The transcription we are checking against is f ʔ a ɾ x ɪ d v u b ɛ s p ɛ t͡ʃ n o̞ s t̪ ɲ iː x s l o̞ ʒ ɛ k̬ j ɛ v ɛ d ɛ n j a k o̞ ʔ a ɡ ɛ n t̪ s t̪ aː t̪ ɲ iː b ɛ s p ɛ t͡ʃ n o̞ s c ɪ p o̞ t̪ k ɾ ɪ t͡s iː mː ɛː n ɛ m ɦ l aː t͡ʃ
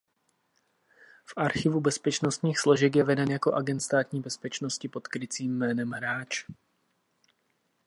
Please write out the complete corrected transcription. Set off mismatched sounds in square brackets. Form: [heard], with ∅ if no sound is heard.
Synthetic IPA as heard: f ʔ a ɾ x ɪ [∅] v u b ɛ s p ɛ t͡ʃ n o̞ s t̪ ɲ iː x s l o̞ ʒ ɛ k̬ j ɛ v ɛ d ɛ n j a k o̞ ʔ a ɡ ɛ n t̪ s t̪ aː t̪ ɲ iː b ɛ s p ɛ t͡ʃ n o̞ s c ɪ p o̞ t̪ k ɾ ɪ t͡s iː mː ɛː n ɛ m ɦ [ɾ] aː t͡ʃ